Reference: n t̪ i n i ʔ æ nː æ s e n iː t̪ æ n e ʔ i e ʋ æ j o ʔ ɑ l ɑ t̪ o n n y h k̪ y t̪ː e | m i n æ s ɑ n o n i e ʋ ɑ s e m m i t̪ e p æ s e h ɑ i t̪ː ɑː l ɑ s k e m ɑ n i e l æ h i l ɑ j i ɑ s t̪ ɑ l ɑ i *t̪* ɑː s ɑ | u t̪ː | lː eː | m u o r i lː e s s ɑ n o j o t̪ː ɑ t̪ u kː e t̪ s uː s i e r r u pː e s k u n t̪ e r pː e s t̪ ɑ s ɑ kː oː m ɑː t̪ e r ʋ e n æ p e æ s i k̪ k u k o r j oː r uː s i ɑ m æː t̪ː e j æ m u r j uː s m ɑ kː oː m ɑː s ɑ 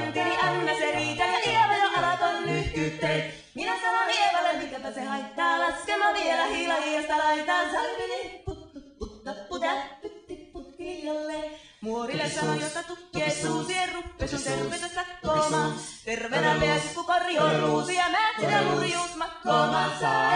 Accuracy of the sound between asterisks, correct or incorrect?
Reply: correct